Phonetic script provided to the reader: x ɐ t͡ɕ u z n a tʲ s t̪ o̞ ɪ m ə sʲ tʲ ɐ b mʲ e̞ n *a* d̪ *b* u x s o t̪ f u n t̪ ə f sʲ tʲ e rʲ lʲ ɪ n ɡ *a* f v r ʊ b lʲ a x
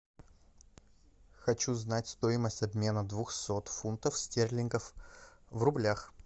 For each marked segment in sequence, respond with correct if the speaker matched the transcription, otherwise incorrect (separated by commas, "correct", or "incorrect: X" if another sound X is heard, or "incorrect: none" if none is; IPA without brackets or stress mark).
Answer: incorrect: ə, incorrect: v, incorrect: ə